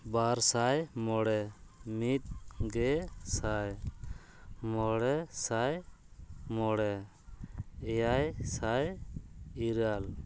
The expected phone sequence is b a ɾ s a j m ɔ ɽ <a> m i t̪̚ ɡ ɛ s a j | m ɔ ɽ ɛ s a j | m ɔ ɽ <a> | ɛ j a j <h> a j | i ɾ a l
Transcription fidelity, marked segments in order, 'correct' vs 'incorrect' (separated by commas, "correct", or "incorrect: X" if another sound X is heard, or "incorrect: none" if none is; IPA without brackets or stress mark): incorrect: ɛ, incorrect: ɛ, incorrect: s